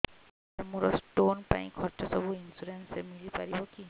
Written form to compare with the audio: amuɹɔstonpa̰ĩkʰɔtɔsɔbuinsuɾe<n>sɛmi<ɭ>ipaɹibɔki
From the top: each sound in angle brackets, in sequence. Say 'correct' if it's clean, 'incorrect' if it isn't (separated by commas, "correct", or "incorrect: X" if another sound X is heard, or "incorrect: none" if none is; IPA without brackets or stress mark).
correct, incorrect: l